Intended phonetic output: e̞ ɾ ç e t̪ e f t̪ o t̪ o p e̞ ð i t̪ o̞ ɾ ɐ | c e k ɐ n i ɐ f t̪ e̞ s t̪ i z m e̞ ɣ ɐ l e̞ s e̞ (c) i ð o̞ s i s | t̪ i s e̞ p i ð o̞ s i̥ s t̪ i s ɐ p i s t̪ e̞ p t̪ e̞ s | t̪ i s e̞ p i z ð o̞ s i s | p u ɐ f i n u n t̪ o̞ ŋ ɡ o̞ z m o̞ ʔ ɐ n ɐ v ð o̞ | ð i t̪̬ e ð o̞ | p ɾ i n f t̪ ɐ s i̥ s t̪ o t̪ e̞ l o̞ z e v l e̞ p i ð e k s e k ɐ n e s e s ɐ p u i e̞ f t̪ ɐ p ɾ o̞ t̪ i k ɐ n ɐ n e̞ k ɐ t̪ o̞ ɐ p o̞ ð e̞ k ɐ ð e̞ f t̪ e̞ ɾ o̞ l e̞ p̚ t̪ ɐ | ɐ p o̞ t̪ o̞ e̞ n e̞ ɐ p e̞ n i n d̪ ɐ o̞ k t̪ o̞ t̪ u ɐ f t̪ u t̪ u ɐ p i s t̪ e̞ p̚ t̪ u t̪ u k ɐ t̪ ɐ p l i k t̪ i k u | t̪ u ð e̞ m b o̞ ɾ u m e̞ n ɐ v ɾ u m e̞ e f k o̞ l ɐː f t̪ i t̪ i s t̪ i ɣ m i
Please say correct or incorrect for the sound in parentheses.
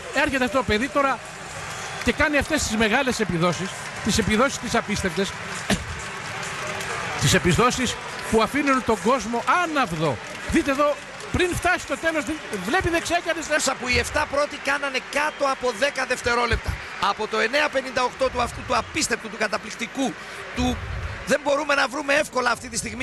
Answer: incorrect